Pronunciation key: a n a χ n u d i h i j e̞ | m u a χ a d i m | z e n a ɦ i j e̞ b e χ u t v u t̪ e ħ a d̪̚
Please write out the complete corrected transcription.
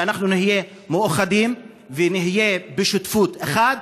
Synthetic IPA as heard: a n a χ n u n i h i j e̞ | m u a χ a d i m | v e n i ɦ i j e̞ b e ʃ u t f u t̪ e χ a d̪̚